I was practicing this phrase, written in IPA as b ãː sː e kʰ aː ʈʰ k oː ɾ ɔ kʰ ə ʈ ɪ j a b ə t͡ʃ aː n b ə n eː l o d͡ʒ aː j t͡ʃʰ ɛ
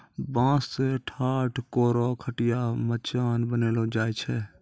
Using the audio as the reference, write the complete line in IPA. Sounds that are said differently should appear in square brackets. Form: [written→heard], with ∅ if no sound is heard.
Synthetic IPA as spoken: b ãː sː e [kʰ→ʈʰ] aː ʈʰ k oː ɾ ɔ kʰ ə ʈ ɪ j a [b→m] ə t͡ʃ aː n b ə n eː l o d͡ʒ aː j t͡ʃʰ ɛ